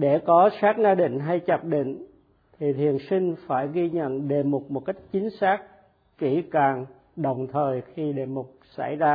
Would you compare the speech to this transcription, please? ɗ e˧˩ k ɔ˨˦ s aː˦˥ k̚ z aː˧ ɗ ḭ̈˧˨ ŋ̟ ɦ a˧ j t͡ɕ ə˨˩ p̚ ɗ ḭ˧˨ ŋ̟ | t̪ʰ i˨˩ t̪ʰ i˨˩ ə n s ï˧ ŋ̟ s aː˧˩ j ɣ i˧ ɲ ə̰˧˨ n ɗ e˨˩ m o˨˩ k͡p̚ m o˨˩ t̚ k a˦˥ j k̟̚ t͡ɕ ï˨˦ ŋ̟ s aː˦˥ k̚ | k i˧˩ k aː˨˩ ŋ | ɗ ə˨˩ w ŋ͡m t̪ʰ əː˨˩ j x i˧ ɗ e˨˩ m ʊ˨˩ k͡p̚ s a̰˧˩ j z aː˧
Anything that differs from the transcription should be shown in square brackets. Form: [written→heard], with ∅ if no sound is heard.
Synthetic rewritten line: ɗ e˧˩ k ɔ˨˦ s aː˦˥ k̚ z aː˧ ɗ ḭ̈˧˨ ŋ̟ ɦ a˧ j t͡ɕ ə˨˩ p̚ ɗ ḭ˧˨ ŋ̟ | t̪ʰ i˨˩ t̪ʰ i˨˩ ə n s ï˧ ŋ̟ [s→f] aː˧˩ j ɣ i˧ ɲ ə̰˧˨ n ɗ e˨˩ m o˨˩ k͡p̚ m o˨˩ t̚ k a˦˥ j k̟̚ t͡ɕ ï˨˦ ŋ̟ s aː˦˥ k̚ | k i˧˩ k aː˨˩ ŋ | ɗ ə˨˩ w ŋ͡m t̪ʰ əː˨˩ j x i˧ ɗ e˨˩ m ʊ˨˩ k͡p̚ s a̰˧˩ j z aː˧